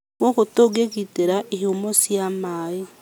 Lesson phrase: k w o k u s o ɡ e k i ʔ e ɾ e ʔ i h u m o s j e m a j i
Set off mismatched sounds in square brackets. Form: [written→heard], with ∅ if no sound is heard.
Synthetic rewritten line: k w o k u [s→t] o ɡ e k i [ʔ→t] e ɾ [e→a] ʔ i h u m o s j [e→a] m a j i

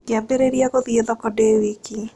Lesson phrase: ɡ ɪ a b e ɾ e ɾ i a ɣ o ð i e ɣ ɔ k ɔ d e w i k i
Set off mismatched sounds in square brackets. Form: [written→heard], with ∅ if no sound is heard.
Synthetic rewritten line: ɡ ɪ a b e ɾ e ɾ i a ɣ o ð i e [ɣ→ð] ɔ k ɔ d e w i k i

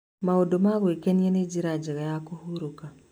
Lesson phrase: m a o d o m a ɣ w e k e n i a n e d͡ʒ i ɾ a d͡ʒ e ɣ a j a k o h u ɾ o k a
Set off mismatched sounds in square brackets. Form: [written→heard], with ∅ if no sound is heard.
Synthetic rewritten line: m a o d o m a ɣ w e k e n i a n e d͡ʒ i ɾ a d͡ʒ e ɣ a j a k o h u ɾ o k a

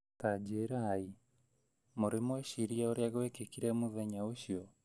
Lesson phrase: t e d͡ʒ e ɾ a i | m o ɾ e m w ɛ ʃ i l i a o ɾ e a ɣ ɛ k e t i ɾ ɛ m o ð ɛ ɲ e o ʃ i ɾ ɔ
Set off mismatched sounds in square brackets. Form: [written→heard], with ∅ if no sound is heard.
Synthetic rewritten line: t [e→a] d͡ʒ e ɾ a i | m o ɾ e m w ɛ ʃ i [l→ɾ] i a o ɾ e a ɣ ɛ k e [t→k] i ɾ ɛ m o ð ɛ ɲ [e→a] o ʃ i [ɾ→∅] ɔ

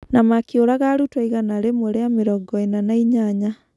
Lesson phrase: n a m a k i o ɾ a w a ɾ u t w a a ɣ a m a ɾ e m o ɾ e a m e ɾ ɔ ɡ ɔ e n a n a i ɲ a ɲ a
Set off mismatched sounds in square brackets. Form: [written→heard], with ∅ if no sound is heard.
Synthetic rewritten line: n a m a k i o ɾ a [w→ɣ] a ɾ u t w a [a→i] ɣ a [m→n] a ɾ e m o ɾ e a m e ɾ ɔ ɡ ɔ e n a n a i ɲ a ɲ a

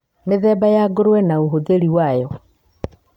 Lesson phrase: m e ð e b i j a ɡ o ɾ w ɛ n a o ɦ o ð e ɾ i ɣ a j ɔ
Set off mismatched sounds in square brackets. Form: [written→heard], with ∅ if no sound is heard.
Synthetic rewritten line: m e ð [e→ɛ] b [i→a] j a ɡ o ɾ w ɛ n a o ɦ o ð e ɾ i [ɣ→w] a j ɔ

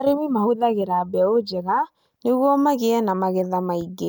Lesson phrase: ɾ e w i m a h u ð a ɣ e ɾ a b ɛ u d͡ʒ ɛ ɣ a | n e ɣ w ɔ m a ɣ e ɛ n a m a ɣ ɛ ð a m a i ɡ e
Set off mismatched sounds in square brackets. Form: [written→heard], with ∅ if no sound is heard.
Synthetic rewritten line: ɾ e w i m a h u ð a ɣ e ɾ a b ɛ [u→o] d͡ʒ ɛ ɣ a | n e ɣ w ɔ m a ɣ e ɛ n a m a ɣ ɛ ð a m a i ɡ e

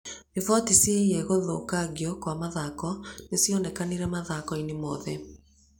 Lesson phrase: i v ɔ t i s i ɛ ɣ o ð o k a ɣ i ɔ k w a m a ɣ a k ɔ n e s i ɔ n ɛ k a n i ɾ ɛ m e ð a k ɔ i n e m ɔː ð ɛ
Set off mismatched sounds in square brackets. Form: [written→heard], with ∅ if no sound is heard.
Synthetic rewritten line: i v ɔ t i s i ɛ ɣ o ð o k a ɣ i ɔ k w a m a [ɣ→ð] a k ɔ n e s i ɔ n ɛ k a n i ɾ ɛ m [e→a] ð a k ɔ i n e m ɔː ð ɛ

